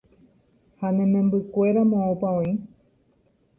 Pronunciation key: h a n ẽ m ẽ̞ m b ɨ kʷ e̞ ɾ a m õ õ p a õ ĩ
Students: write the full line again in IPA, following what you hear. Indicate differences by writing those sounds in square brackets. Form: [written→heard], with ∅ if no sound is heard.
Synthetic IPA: h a n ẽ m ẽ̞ m b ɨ kʷ e̞ ɾ a m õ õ p a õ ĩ

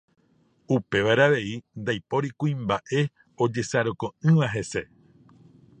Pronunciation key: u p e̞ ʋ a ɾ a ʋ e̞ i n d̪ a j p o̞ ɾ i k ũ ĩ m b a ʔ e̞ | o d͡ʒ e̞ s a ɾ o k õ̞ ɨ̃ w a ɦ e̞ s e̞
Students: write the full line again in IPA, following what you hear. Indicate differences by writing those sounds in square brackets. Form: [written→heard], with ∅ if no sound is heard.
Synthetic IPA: u p e̞ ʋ a ɾ a ʋ e̞ i n d̪ a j p o̞ ɾ i k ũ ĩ m b a ʔ e̞ | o d͡ʒ e̞ s a ɾ o k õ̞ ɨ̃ [w→ʋ] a ɦ e̞ s e̞

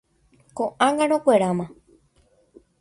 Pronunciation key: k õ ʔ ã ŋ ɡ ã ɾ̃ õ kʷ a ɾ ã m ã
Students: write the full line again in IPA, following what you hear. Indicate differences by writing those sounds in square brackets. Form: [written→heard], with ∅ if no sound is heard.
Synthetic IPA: k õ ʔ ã ŋ ɡ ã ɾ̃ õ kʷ [a→e] ɾ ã m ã

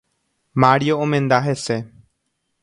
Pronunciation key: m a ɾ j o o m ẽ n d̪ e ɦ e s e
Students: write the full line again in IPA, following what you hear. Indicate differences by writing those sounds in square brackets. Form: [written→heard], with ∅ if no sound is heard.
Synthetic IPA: m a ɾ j o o m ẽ n d̪ [e→a] ɦ e s e

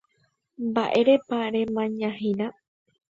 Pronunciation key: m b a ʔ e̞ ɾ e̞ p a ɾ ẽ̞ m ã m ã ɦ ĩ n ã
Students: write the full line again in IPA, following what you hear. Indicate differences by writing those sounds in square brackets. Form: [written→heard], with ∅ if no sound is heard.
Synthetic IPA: m b a ʔ e̞ ɾ e̞ p a ɾ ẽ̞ m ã [m→ɲ] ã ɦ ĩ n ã

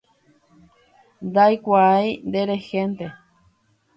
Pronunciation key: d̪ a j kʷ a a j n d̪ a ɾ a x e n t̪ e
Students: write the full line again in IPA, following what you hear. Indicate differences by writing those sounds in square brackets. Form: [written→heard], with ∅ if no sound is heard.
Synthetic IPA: d̪ a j kʷ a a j n d̪ [a→e] ɾ [a→e] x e n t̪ e

